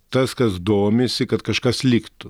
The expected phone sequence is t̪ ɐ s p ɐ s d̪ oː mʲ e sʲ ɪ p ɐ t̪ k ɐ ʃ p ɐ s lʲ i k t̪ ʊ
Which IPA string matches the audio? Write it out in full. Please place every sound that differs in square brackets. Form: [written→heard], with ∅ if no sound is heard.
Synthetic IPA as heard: t̪ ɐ s [p→k] ɐ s d̪ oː mʲ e sʲ ɪ [p→k] ɐ t̪ k ɐ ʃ [p→k] ɐ s lʲ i k t̪ ʊ